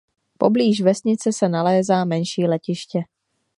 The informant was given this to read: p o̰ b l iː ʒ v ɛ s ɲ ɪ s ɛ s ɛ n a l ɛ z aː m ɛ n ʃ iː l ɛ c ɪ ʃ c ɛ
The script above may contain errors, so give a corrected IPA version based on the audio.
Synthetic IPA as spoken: p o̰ b l iː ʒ v ɛ s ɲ ɪ t͡s ɛ s ɛ n a l ɛː z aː m ɛ n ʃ iː l ɛ c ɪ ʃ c ɛ